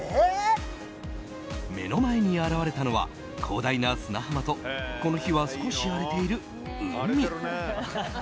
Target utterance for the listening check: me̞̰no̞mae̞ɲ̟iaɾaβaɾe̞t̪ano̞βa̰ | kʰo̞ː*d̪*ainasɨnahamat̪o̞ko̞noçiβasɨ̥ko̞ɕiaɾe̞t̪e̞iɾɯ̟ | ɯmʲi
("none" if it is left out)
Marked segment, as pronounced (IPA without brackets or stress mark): d̪